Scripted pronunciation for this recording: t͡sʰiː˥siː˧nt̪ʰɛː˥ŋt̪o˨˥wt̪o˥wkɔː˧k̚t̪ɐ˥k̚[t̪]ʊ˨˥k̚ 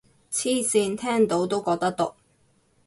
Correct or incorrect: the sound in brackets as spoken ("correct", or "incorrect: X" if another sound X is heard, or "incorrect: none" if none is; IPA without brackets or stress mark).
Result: correct